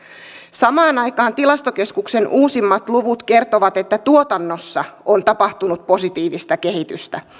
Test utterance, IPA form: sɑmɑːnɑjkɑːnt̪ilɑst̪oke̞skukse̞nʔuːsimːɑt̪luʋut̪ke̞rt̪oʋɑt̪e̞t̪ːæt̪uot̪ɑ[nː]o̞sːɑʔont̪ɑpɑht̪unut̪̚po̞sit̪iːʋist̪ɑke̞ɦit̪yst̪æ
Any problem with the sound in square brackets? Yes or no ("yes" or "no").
no